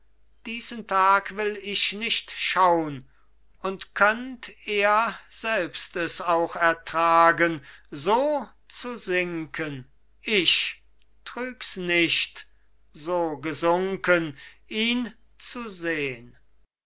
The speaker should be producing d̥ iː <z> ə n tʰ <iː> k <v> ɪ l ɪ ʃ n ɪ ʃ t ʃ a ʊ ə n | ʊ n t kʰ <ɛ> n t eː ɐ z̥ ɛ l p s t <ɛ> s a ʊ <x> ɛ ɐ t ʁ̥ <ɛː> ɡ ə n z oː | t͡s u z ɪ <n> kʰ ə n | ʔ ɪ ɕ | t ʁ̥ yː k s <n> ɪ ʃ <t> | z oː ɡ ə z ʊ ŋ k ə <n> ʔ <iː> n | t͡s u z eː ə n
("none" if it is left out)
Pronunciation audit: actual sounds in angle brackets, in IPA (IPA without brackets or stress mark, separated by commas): z, aː, v, œ, ɛ, x, aː, ŋ, n, t, n, iː